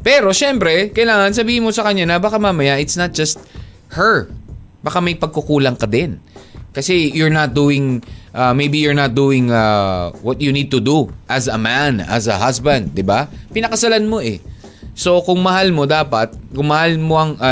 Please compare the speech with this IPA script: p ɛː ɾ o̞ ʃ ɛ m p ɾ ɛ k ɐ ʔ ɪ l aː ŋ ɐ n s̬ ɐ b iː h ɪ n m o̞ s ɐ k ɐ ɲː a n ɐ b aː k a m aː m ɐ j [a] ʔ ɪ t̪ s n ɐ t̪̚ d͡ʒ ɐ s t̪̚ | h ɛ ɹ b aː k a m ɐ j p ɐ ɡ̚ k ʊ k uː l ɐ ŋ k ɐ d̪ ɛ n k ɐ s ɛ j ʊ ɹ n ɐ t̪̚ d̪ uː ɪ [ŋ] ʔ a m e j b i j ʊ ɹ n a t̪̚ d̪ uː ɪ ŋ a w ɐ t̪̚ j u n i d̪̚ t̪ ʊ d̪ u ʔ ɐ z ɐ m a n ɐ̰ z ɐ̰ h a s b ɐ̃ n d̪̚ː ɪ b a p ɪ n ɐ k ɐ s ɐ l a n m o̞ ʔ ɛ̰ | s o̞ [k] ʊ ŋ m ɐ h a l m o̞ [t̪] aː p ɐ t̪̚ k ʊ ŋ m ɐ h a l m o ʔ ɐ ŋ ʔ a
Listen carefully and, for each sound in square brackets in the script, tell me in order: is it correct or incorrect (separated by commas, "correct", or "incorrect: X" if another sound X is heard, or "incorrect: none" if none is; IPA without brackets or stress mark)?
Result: correct, correct, correct, incorrect: d̪